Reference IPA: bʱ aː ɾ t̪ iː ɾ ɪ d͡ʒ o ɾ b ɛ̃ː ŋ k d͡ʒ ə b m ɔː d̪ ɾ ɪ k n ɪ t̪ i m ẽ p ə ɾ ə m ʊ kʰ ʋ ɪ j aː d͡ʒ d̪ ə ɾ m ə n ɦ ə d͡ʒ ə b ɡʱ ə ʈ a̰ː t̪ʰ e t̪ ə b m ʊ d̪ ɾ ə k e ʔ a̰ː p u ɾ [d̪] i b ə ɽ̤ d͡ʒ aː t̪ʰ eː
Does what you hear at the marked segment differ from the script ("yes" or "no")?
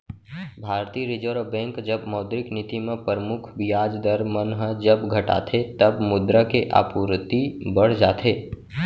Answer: yes